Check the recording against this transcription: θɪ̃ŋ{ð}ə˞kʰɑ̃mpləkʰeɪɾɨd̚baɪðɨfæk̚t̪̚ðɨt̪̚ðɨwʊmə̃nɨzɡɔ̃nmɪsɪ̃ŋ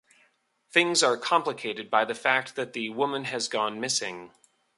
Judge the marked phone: incorrect: z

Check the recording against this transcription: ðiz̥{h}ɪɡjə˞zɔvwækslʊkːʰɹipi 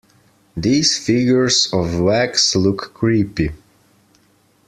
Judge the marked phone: incorrect: f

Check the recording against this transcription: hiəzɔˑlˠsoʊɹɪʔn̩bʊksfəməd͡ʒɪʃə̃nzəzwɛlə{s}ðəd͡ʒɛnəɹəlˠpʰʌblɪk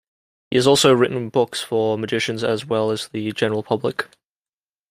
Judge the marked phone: incorrect: z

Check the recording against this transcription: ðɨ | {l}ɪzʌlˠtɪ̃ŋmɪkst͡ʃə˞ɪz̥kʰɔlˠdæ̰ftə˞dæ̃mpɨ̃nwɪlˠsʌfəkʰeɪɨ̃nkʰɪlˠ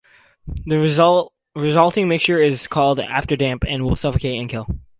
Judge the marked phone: incorrect: ɹ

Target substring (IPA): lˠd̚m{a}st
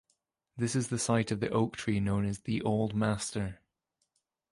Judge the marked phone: correct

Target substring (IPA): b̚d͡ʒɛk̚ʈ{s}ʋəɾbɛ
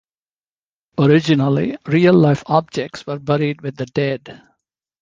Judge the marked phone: correct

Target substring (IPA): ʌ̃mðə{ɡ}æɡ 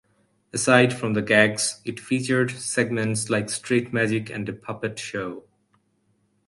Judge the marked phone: correct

